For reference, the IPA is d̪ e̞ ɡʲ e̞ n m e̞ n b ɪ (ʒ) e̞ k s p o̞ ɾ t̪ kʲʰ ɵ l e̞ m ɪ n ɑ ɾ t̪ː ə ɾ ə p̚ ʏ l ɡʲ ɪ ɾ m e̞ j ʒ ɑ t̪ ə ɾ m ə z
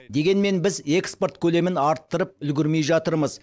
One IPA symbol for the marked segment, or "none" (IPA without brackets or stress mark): z